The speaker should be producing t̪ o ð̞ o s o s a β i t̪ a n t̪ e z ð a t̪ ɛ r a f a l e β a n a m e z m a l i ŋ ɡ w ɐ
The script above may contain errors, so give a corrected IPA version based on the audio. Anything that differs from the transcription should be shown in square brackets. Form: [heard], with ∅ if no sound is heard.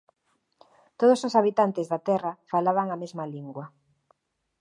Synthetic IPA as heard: t̪ o ð̞ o s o s a β i t̪ a n t̪ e z ð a t̪ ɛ r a f a l [a] β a [ŋ] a m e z m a l i ŋ ɡ w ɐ

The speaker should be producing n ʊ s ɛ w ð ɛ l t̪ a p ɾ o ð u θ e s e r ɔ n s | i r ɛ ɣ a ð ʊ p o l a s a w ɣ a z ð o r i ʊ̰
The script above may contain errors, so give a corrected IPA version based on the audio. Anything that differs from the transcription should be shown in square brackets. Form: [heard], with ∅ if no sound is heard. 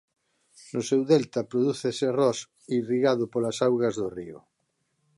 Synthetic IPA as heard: n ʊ s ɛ w ð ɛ l t̪ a p ɾ o ð u θ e s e r ɔ [∅] s | i r [i] ɣ a ð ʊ p o l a s a w ɣ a z ð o r i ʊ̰

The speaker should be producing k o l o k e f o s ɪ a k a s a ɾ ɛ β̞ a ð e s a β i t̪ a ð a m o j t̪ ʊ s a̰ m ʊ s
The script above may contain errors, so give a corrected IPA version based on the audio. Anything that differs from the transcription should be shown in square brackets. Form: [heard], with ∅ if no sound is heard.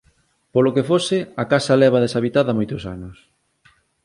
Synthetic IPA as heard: [p] o l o k e f o s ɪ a k a s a [l] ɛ β̞ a ð e s a β i t̪ a ð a m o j t̪ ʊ s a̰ [n] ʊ s

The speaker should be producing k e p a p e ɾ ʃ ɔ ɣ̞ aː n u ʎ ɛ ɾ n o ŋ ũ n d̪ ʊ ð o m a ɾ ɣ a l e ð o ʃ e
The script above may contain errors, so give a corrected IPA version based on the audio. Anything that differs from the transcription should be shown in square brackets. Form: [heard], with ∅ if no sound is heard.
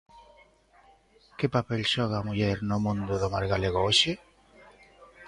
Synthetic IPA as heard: k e p a p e [l] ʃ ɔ ɣ̞ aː [m] u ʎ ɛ ɾ n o [m] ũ n d̪ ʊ ð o m a ɾ ɣ a l e [ɣ] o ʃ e

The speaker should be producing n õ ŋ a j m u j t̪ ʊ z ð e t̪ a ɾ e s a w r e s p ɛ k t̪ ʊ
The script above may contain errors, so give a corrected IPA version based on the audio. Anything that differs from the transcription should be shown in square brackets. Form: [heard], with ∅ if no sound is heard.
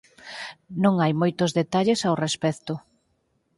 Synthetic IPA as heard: n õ ŋ a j m [o] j t̪ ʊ z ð e t̪ a [ʎ] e s a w r e s p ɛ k t̪ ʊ

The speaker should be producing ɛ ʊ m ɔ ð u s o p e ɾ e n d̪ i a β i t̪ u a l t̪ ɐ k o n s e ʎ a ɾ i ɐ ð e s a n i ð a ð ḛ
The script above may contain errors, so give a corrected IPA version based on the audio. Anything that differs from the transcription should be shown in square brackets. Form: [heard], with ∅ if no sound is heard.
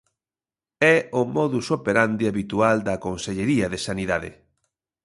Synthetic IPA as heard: ɛ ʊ m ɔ ð u s o p e ɾ [a] n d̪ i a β i t̪ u a l [d̪] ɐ k o n s e ʎ [e] ɾ i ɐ ð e s a n i ð a ð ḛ

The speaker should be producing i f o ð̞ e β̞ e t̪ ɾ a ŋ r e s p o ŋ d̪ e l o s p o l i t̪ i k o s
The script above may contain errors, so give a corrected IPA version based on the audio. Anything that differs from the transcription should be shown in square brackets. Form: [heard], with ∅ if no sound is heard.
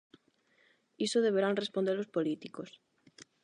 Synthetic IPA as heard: i [s] o ð̞ e β̞ e [∅] ɾ a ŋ r e s p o [n] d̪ e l o s p o l i t̪ i k o s

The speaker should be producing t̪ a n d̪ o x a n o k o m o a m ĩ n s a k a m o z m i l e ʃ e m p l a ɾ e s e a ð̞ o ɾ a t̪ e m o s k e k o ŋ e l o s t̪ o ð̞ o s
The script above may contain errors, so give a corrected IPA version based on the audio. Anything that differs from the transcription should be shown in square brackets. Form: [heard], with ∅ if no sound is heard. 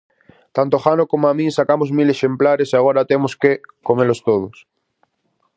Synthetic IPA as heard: t̪ a n [t̪] o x a n o k o m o a m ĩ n s a k a m o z m i l e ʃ e m p l a ɾ e s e a [ɣ̞] o ɾ a t̪ e m o s k e k o [m] e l o s t̪ o ð̞ o s

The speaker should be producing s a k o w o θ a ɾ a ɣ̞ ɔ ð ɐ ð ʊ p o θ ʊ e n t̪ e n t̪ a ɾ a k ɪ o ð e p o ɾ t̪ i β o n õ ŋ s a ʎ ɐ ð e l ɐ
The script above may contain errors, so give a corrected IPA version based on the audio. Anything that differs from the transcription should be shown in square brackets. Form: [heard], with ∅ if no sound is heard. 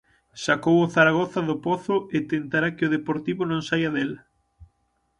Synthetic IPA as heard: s a k o w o θ a ɾ a ɣ̞ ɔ [θ] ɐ ð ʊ p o θ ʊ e [∅] t̪ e n t̪ a ɾ a k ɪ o ð e p o ɾ t̪ i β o n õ ŋ s a [j] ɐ ð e l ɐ

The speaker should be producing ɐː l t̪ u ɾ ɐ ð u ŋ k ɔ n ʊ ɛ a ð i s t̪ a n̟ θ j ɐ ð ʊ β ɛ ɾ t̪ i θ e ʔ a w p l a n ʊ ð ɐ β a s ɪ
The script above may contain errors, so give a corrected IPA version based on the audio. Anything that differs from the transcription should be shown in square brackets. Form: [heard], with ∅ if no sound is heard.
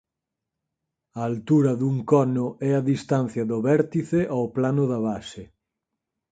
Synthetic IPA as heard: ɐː l t̪ u ɾ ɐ ð u ŋ k ɔ n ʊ ɛ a ð i s t̪ a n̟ θ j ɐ ð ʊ β ɛ ɾ t̪ i θ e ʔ a w p l a n ʊ ð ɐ β a s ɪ

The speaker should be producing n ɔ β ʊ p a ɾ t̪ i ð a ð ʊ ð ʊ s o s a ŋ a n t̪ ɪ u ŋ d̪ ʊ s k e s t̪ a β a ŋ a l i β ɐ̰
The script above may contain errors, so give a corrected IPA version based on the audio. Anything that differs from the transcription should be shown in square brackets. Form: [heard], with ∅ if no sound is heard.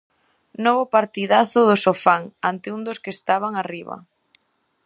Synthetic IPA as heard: n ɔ β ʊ p a ɾ t̪ i ð a [θ] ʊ ð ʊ s o [f] a ŋ a n t̪ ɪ u [n] d̪ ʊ s k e s t̪ a β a ŋ a [r] i β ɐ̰

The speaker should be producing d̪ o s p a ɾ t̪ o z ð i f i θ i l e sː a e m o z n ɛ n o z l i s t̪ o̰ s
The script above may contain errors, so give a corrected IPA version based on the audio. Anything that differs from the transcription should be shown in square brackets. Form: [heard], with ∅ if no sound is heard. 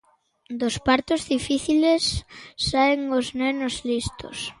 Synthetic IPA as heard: d̪ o s p a ɾ t̪ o z ð i f i θ i l e sː a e [ŋ] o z n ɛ n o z l i s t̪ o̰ s

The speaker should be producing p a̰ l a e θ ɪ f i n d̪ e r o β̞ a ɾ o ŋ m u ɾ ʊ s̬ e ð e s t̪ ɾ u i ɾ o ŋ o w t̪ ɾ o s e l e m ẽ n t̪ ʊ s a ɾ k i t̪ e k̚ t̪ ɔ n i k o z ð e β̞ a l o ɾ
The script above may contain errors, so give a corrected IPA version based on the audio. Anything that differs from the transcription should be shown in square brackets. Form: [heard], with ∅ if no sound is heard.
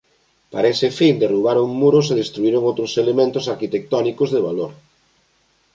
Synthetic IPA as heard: p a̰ [ɾ] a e [s] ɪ f i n d̪ e r [u] β̞ a ɾ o ŋ m u ɾ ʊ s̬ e ð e s t̪ ɾ u i ɾ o ŋ o w t̪ ɾ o s e l e m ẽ n t̪ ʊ s a ɾ k i t̪ e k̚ t̪ ɔ n i k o z ð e β̞ a l o ɾ

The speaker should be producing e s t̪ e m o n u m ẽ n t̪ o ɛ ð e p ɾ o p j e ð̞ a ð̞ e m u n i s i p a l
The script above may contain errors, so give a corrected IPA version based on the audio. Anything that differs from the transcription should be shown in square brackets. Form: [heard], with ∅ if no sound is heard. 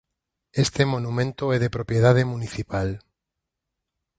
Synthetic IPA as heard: e s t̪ e m o n u m ẽ n t̪ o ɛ ð e p ɾ o p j e ð̞ a ð̞ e m u n i [θ] i p a l

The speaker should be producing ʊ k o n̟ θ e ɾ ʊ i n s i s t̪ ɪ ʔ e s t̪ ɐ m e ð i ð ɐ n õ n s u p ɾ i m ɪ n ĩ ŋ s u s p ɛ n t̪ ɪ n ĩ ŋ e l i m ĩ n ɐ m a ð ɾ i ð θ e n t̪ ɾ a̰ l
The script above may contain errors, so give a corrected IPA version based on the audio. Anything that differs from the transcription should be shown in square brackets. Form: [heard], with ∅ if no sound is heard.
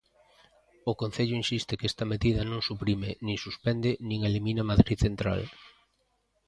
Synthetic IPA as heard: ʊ k o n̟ θ e [ʎ] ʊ i n s i s t̪ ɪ [k] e s t̪ ɐ m e ð i ð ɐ n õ [ŋ] s u p ɾ i m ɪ n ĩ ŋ s u s p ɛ n [d̪] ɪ n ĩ ŋ e l i m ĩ n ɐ m a ð ɾ i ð θ e n t̪ ɾ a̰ l

